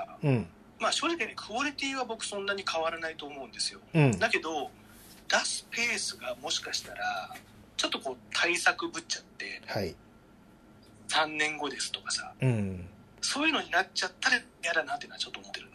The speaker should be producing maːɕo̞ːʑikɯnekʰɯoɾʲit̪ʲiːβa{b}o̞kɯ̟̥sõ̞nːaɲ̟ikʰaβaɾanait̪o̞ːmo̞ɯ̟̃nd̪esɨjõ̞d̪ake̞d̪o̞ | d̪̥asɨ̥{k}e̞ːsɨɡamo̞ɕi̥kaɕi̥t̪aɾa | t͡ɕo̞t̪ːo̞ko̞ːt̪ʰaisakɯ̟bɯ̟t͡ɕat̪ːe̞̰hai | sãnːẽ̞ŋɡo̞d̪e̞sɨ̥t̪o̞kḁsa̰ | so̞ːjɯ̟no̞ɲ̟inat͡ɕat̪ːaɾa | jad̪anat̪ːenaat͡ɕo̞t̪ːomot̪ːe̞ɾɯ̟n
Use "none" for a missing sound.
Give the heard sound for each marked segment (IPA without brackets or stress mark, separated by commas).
b, p